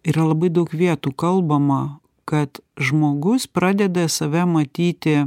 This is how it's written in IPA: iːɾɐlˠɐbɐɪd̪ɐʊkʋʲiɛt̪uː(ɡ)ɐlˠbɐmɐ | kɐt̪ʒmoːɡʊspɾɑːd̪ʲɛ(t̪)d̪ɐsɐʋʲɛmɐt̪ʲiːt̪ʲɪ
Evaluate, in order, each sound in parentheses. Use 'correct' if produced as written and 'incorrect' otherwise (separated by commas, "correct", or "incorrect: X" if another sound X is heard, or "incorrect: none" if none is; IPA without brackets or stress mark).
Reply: incorrect: k, incorrect: none